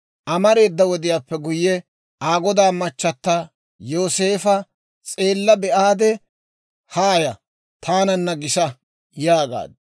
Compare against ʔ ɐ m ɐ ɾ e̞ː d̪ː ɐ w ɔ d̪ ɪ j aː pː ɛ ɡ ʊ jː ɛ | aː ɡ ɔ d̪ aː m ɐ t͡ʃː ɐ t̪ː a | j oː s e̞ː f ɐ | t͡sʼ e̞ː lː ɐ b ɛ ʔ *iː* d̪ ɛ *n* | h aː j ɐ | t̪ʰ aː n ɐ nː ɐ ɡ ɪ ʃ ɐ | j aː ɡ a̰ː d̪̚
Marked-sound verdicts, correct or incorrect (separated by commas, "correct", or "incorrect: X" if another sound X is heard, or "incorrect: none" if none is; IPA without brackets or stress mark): incorrect: aː, incorrect: none